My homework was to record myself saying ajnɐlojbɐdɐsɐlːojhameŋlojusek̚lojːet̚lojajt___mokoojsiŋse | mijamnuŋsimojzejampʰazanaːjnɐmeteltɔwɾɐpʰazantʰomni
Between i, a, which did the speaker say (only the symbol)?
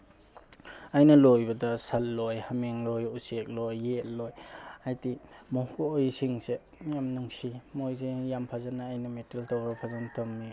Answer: i